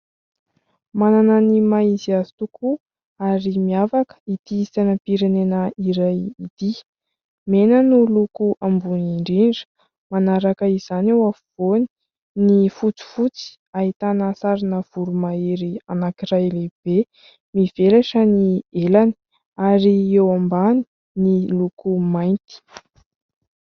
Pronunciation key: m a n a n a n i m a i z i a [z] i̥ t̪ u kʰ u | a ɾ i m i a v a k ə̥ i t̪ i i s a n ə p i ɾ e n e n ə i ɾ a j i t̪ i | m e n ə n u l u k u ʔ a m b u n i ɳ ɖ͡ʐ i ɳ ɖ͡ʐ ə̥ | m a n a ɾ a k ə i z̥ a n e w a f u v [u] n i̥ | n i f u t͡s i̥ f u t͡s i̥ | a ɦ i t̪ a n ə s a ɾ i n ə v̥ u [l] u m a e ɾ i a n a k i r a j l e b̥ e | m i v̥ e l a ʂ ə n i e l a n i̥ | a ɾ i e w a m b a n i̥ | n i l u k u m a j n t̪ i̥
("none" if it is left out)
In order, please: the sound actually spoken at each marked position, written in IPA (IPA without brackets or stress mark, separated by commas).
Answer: z, o, ɾ